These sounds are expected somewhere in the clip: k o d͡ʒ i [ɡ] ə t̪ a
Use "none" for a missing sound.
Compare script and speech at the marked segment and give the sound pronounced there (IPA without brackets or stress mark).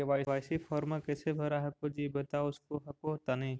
b